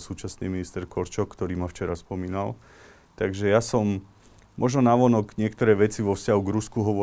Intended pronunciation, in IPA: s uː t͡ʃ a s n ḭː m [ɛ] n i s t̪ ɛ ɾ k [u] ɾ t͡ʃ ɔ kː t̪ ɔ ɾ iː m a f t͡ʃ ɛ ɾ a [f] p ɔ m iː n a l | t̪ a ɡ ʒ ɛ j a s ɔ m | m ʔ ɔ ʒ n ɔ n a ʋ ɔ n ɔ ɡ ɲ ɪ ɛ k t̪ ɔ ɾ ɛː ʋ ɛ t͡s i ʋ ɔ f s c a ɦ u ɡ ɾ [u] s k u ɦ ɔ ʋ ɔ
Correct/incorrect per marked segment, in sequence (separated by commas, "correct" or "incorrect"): incorrect, incorrect, incorrect, correct